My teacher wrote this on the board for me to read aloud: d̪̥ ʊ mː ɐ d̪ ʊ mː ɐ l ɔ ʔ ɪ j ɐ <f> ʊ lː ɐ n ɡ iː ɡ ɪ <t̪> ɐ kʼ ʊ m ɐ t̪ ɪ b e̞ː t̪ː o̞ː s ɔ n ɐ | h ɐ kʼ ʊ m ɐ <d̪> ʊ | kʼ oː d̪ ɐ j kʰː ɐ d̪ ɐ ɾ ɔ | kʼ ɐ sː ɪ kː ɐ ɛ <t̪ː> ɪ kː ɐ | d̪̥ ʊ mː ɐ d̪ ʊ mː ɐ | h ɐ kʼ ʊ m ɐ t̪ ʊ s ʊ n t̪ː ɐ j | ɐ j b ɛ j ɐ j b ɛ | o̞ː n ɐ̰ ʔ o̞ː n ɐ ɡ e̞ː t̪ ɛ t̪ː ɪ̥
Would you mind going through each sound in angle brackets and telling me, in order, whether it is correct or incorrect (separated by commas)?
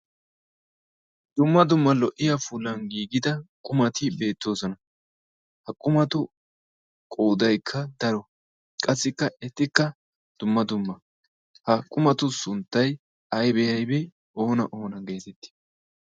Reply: correct, incorrect, incorrect, correct